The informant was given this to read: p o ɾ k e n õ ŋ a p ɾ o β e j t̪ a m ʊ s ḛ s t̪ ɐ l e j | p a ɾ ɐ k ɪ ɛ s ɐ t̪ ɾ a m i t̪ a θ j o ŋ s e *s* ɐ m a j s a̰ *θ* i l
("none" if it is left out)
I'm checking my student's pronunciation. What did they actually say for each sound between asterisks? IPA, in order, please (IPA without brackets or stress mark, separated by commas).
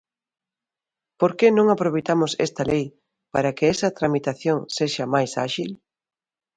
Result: ʃ, ʃ